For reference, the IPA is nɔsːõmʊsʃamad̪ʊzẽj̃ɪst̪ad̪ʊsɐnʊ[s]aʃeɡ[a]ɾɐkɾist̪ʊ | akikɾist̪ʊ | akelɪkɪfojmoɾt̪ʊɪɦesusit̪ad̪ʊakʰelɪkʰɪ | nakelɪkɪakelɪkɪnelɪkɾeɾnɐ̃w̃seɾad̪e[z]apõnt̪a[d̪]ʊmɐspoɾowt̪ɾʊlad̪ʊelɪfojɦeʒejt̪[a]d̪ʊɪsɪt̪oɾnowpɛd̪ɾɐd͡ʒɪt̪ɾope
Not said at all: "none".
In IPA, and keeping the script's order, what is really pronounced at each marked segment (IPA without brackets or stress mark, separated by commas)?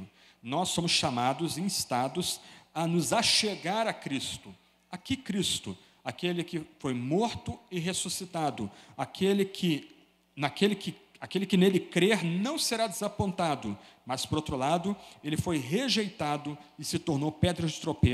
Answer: z, a, z, d̪, a